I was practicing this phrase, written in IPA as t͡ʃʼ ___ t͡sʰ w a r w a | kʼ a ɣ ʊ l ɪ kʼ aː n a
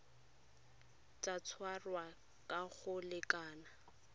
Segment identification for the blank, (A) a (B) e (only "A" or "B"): A